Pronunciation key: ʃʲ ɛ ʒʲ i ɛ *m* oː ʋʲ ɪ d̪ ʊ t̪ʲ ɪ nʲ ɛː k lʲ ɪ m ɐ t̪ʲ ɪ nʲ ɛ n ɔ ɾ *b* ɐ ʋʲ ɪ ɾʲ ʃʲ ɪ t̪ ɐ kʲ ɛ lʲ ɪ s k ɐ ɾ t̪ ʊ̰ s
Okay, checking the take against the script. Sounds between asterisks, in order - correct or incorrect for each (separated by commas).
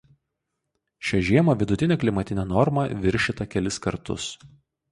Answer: correct, incorrect